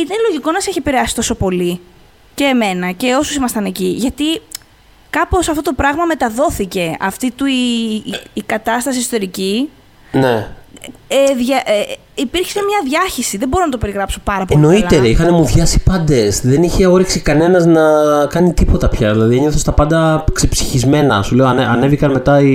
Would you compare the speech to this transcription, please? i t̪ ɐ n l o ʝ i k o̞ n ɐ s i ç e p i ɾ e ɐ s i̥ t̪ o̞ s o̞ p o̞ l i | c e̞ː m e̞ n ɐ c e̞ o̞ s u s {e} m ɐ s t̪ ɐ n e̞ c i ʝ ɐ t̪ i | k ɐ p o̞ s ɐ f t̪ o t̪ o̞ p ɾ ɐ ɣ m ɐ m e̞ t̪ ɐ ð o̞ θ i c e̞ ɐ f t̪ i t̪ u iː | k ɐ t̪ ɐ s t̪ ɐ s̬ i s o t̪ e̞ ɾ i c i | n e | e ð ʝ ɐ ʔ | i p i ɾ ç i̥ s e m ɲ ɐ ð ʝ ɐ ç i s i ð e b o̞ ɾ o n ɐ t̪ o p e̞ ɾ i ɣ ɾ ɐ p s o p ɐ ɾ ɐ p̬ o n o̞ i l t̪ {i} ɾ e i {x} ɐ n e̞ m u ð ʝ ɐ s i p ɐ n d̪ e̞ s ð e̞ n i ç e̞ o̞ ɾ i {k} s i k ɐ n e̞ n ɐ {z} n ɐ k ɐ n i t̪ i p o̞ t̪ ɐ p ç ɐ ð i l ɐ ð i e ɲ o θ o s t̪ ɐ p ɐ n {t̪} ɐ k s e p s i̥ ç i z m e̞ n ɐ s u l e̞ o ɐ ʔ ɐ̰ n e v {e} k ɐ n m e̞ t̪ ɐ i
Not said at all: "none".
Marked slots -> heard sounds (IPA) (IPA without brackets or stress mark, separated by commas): i, e, x, k, z, d̪, i